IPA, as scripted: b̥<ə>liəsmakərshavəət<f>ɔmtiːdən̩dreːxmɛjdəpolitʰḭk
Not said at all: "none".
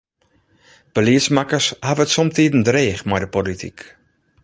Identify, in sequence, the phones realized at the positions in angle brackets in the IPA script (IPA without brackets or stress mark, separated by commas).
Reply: ə, s